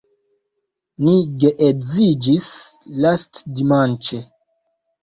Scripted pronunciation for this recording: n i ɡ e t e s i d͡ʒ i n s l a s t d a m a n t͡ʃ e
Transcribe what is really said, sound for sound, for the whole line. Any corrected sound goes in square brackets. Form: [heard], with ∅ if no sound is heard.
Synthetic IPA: n i ɡ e [ʔ] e [z] i d͡ʒ i [∅] s l a s t d [i] m a n t͡ʃ e